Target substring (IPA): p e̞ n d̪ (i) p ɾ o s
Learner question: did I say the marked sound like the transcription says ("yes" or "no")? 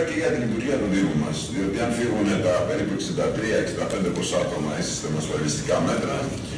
no